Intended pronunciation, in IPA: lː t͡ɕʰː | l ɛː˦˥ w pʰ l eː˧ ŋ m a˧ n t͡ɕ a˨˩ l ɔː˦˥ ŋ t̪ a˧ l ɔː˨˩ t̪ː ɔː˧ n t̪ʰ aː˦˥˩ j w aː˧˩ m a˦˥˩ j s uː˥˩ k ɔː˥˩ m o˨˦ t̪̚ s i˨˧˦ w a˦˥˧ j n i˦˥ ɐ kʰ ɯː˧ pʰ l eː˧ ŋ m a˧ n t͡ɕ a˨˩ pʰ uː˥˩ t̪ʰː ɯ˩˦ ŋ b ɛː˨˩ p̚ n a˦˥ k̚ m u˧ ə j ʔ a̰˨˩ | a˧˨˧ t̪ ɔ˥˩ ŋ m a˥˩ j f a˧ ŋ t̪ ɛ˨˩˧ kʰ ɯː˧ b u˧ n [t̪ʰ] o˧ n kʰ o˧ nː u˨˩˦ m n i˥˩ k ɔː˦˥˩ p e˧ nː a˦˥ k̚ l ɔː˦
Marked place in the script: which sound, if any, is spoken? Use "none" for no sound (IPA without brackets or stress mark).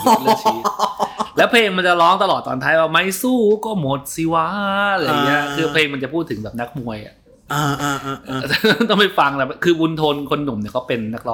t̪ʰ